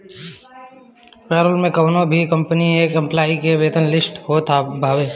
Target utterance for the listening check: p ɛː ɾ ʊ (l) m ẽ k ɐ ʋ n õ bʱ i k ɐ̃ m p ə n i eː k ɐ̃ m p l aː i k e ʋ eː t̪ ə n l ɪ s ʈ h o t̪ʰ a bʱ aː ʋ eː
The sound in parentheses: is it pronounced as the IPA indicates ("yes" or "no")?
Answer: yes